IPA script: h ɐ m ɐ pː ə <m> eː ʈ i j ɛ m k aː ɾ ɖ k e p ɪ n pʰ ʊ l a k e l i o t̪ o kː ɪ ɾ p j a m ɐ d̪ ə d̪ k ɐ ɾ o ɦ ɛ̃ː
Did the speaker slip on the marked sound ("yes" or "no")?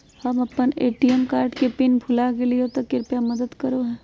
yes